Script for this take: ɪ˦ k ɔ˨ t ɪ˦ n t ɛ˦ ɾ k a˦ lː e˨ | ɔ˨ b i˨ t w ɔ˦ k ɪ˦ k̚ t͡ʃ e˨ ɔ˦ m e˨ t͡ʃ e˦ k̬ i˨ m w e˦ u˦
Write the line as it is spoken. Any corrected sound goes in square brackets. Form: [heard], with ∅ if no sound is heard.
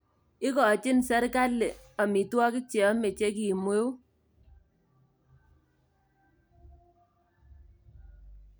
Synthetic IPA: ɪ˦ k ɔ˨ [t͡ʃ] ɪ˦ n [s] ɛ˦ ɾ k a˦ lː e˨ | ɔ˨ [m] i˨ t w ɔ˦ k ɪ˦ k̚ t͡ʃ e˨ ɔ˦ m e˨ t͡ʃ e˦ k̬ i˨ m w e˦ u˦

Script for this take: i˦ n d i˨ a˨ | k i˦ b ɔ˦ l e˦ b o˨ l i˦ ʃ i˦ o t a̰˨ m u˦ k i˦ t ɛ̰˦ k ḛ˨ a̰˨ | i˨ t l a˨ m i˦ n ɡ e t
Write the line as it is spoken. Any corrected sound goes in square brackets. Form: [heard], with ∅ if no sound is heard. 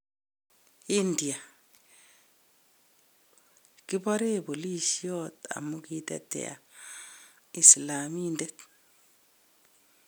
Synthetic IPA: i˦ n d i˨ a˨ | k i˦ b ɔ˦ [ɾ] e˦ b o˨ l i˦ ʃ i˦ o t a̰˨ m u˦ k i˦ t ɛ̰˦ [t] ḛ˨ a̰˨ | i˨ [s] l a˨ m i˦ n [d] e t

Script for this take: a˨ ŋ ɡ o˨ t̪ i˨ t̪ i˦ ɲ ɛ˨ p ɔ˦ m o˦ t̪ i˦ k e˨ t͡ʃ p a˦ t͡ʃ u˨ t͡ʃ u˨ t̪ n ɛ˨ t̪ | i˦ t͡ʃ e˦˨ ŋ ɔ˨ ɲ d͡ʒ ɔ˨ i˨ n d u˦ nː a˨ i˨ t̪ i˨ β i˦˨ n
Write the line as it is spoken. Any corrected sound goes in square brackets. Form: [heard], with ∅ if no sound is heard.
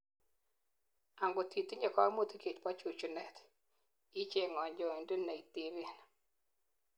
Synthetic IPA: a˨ ŋ ɡ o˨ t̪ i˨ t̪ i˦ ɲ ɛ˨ [k] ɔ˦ m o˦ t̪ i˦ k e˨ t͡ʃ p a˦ t͡ʃ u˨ t͡ʃ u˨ [∅] n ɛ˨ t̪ | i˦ t͡ʃ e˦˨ ŋ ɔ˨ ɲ d͡ʒ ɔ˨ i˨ n d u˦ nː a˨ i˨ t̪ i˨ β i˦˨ n

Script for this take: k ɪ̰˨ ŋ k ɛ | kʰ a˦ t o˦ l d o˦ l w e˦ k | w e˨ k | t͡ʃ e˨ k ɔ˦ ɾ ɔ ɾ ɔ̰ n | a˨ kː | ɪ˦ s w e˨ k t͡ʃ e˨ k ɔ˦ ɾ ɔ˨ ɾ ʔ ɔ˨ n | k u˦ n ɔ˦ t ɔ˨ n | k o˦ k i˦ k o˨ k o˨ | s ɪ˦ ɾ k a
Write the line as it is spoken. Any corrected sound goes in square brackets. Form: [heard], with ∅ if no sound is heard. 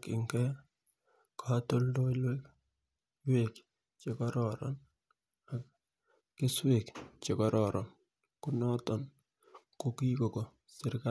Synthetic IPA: k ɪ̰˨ ŋ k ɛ | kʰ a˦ t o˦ l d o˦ l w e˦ k | w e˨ k | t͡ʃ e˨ k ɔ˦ ɾ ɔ ɾ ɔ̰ n | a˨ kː | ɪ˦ s w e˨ k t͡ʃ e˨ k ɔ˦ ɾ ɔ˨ ɾ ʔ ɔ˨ n | k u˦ n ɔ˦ t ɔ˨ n | k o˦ k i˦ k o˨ k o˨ | s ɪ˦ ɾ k a

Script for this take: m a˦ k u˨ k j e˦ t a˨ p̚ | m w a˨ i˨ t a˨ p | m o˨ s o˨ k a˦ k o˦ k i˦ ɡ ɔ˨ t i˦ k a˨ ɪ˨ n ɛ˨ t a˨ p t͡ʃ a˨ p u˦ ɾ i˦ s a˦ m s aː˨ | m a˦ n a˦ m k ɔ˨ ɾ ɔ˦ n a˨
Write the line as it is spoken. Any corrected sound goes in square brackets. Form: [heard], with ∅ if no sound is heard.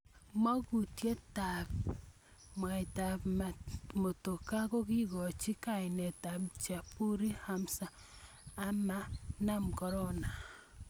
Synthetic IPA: m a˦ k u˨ [t] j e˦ t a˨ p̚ | m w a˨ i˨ t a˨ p | m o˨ [t] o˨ k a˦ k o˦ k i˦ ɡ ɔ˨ [t͡ʃ] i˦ k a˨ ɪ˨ n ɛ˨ t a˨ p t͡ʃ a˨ p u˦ ɾ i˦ [h] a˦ m s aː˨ | m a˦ n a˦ m k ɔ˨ ɾ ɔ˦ n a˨

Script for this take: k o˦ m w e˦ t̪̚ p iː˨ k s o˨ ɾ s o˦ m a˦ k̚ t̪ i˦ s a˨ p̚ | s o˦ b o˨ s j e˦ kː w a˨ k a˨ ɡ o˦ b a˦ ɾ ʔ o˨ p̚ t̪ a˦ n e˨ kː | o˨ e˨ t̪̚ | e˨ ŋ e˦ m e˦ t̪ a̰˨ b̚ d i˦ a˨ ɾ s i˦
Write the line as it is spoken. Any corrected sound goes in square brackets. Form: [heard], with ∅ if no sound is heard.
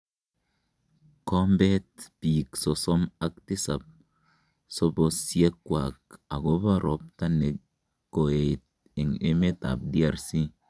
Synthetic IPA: k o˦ m [b] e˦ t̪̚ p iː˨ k s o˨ [∅] s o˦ m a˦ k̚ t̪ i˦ s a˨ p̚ | s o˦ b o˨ s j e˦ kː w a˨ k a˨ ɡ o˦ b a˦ ɾ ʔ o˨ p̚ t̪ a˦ n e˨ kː | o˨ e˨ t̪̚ | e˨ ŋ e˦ m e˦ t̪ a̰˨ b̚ d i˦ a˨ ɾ s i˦

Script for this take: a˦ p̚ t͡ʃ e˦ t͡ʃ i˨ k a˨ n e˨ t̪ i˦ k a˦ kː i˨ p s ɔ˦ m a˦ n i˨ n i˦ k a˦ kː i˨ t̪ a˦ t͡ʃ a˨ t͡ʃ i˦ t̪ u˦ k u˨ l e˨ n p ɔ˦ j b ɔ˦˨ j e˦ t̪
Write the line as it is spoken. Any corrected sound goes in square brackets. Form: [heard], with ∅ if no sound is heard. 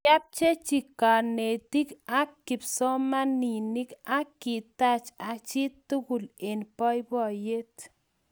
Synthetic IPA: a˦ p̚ t͡ʃ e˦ t͡ʃ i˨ k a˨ n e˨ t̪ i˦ k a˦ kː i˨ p s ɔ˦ m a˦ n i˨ n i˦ k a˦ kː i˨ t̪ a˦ t͡ʃ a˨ t͡ʃ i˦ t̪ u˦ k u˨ l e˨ n p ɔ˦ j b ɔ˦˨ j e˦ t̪

